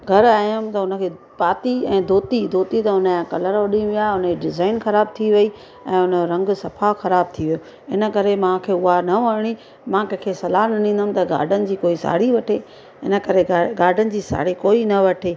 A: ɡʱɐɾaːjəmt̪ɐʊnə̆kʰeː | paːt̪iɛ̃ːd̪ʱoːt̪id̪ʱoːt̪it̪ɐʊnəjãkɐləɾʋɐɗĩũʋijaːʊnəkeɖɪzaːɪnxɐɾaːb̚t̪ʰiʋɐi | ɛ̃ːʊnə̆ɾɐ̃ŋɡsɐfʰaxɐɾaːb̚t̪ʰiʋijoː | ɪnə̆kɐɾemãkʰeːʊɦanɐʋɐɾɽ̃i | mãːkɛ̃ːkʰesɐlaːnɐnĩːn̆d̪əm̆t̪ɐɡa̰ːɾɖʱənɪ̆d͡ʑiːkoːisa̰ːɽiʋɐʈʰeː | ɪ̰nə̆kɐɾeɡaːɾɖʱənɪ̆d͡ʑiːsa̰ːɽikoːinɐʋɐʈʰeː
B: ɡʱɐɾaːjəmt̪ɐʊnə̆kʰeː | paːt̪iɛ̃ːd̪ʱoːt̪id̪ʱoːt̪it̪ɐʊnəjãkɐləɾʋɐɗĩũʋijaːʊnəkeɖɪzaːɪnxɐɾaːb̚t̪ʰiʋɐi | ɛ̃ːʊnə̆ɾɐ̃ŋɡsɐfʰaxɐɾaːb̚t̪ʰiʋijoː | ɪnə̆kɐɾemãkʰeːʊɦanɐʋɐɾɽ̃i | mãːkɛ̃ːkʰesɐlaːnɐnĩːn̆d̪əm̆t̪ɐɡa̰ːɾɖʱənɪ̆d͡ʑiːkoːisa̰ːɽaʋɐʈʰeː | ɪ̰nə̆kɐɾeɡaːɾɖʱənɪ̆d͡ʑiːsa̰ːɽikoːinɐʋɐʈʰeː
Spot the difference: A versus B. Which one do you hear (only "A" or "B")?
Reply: A